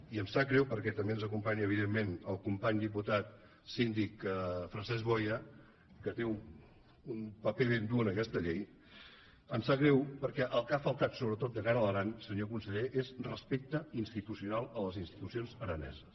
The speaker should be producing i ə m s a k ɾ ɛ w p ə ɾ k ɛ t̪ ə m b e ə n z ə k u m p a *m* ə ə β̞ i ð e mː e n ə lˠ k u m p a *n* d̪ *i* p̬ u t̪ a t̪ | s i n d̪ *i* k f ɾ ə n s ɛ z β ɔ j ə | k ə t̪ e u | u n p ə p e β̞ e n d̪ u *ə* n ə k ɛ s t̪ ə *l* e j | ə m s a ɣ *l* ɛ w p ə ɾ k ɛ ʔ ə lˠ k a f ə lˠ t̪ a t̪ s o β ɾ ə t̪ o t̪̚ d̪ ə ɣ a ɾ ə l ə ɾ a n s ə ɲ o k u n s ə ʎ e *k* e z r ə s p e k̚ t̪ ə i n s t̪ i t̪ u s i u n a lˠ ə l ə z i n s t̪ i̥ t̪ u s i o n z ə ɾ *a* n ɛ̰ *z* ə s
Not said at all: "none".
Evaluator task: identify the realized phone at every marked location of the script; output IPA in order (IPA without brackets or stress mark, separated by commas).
ɲ, ɲ, i, i, ə, ʎ, ɾ, ʔ, ə, z